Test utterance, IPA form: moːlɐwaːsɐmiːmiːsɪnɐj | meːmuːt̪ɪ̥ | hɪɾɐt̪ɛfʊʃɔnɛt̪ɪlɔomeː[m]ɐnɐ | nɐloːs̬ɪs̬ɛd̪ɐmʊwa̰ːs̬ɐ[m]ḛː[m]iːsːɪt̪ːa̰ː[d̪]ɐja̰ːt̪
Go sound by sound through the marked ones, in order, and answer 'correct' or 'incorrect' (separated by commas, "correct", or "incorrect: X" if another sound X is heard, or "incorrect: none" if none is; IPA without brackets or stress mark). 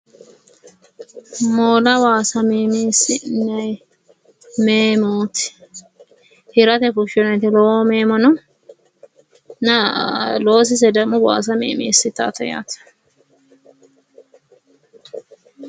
correct, correct, correct, incorrect: t̪